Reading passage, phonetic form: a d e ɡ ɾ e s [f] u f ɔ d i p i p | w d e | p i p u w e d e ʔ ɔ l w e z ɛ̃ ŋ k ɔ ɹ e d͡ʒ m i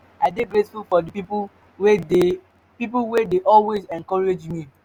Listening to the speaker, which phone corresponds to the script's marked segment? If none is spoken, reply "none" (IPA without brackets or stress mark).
f